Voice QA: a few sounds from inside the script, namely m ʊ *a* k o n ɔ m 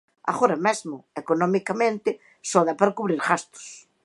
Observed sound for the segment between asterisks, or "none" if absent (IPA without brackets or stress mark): e